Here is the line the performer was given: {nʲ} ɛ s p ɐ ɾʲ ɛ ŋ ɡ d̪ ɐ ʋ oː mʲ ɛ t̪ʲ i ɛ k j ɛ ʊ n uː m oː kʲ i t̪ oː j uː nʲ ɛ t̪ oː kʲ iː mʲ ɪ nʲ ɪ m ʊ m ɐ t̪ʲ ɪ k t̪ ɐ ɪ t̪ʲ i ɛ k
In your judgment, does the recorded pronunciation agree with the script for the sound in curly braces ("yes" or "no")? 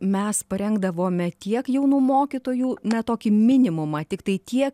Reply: no